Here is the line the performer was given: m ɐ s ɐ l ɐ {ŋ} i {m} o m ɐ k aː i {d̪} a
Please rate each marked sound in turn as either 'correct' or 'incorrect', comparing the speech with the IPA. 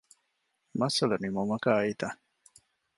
incorrect: n, correct, incorrect: t̪

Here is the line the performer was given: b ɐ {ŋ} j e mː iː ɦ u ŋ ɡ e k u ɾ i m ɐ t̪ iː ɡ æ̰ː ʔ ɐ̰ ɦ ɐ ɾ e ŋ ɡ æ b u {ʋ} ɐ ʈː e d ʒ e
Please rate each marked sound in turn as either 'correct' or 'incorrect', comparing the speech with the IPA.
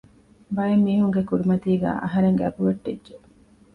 incorrect: none, correct

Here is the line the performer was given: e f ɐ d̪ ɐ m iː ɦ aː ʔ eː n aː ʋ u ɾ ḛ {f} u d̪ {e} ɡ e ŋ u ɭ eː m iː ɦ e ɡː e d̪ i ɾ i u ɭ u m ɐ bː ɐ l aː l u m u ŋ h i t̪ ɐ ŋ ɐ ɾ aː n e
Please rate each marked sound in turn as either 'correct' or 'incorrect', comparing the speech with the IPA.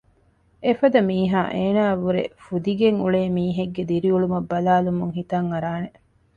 correct, incorrect: i

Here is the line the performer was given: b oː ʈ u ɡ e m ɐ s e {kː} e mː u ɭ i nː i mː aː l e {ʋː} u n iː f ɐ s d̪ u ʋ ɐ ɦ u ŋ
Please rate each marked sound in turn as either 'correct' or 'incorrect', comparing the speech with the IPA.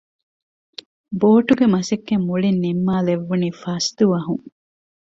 correct, correct

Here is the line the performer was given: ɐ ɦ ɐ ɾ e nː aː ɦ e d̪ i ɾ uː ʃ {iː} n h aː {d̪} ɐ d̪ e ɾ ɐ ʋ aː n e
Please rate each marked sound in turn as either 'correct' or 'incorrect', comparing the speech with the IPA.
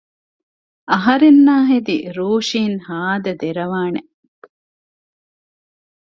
correct, correct

